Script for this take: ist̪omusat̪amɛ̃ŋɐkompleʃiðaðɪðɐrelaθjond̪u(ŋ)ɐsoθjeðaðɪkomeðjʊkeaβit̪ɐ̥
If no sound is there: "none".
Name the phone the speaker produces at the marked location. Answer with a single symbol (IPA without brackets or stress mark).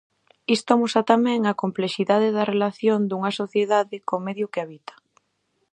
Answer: ŋ